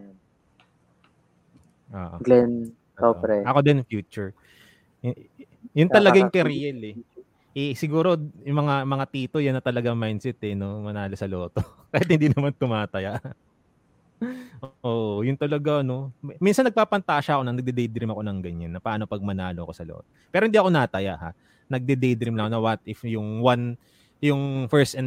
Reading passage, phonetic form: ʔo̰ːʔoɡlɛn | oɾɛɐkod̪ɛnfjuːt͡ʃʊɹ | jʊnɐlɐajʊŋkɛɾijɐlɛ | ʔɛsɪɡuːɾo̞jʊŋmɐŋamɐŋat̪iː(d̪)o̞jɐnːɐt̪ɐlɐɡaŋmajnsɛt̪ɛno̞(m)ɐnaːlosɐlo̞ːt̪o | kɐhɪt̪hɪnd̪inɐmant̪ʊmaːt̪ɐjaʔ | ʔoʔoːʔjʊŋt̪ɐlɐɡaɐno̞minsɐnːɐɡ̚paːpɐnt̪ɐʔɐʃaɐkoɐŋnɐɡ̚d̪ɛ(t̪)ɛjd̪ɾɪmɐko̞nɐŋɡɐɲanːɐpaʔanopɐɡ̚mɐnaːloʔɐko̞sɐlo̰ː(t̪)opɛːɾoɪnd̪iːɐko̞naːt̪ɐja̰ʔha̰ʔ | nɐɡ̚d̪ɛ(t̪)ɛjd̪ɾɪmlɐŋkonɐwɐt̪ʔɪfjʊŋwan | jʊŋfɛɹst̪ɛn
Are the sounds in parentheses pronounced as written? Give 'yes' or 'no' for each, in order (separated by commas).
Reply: no, yes, no, yes, no